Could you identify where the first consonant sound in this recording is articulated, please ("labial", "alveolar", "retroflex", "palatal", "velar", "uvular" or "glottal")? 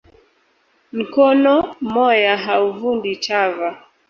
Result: labial